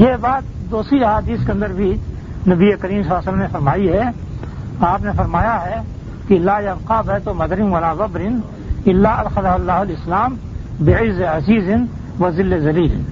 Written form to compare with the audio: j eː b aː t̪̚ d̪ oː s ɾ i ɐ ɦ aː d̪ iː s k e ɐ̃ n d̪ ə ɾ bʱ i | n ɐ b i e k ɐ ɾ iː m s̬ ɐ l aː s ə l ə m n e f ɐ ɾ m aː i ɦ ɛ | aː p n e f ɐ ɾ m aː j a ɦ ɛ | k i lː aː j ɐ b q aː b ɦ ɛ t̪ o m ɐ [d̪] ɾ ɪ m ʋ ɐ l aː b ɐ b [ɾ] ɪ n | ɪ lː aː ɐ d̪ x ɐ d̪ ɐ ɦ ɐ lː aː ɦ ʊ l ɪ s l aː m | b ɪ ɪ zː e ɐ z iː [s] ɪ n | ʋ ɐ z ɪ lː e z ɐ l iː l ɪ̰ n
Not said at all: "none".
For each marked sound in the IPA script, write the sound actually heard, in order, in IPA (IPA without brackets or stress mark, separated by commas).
d̪, ɾ, z